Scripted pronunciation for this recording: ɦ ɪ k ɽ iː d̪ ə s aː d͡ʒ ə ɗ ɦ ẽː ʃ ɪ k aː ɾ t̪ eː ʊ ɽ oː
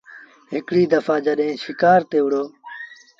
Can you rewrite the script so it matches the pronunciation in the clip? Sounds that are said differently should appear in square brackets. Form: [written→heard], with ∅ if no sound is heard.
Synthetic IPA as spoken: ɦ ɪ k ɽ iː d̪ ə [s→f] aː d͡ʒ ə ɗ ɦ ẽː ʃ ɪ k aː ɾ t̪ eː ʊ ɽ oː